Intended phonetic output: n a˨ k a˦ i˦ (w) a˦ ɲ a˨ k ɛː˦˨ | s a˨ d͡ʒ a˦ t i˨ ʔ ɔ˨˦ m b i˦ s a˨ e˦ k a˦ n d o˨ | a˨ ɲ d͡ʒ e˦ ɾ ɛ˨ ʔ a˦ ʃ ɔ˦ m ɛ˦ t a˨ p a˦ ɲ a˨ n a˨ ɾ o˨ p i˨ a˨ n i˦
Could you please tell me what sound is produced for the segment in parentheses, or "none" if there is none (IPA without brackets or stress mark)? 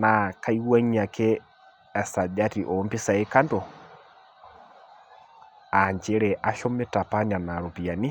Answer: w